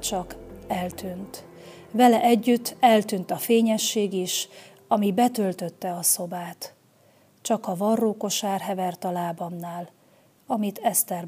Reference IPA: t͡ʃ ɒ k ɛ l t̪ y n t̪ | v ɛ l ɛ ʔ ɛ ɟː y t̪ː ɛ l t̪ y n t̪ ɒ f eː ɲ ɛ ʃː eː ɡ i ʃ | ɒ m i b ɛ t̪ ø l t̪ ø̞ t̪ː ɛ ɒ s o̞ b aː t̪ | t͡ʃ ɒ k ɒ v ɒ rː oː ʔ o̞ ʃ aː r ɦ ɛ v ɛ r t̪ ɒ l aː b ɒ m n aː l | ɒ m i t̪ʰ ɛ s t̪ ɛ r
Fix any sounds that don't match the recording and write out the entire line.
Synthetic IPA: t͡ʃ ɒ k ɛ l t̪ y n t̪ | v ɛ l ɛ ʔ ɛ ɟː y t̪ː ɛ l t̪ y n t̪ ɒ f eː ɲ ɛ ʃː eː ɡ i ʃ | ɒ m i b ɛ t̪ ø l t̪ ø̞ t̪ː ɛ ɒ s o̞ b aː t̪ | t͡ʃ ɒ k ɒ v ɒ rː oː k o̞ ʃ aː r ɦ ɛ v ɛ r t̪ ɒ l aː b ɒ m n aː l | ɒ m i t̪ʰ ɛ s t̪ ɛ r